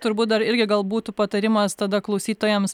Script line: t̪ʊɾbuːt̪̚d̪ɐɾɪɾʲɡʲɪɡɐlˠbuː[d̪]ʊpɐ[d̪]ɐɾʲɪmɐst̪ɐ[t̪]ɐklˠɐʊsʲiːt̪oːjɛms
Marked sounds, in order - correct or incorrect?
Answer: incorrect: t̪, incorrect: t̪, incorrect: d̪

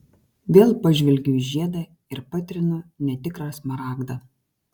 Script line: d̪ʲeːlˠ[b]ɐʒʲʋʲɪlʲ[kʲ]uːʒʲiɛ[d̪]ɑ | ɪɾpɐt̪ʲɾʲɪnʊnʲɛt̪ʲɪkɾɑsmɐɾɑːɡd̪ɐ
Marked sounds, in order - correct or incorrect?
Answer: incorrect: p, incorrect: ɡʲ, correct

